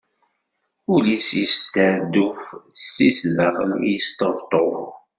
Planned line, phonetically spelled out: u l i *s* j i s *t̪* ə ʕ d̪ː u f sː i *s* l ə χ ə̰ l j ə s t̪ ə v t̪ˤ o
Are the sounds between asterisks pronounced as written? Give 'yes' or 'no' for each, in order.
yes, yes, yes

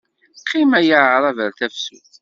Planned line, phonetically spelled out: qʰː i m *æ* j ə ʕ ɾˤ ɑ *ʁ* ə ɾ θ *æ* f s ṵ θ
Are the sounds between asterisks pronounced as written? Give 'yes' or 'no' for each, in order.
yes, no, yes

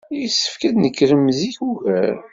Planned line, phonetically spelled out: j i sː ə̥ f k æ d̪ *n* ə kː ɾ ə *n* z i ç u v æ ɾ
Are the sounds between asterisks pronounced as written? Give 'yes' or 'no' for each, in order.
yes, no

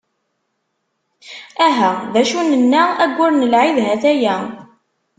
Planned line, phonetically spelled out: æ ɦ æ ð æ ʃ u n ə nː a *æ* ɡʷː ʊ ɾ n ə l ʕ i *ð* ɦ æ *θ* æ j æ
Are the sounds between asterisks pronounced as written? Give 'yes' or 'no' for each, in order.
yes, yes, yes

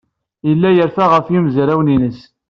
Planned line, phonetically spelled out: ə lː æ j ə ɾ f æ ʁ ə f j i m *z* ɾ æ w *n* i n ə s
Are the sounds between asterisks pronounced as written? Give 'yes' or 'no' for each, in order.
yes, yes

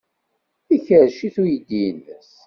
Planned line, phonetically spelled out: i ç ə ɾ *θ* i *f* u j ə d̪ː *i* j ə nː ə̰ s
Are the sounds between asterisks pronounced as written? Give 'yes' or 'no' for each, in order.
no, no, yes

